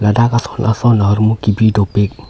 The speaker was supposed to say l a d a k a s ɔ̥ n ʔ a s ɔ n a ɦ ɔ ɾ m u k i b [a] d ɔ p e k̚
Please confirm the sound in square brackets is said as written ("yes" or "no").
no